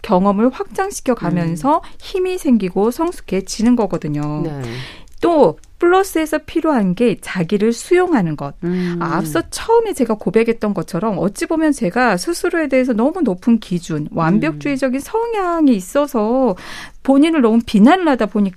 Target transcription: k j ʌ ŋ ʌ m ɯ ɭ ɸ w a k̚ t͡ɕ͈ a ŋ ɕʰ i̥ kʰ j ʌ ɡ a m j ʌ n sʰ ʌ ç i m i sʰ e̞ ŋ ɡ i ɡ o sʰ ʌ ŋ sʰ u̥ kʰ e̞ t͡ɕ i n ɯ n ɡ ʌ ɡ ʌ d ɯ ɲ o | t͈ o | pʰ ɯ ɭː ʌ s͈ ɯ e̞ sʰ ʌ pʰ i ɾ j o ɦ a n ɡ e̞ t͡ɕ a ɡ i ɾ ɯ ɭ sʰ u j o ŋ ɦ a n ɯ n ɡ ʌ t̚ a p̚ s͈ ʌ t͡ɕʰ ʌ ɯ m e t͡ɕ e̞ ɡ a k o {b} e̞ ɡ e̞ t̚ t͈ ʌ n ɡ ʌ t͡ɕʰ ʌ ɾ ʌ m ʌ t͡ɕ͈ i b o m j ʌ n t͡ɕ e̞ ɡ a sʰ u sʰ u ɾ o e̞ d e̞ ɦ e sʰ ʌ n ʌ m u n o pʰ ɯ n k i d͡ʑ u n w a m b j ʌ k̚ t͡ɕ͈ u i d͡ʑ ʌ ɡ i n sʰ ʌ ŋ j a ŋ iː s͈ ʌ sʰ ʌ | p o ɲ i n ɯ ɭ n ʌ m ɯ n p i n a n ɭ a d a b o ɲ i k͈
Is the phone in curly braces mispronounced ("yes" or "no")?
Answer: no